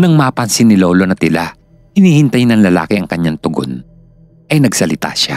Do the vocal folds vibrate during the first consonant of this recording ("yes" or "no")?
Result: yes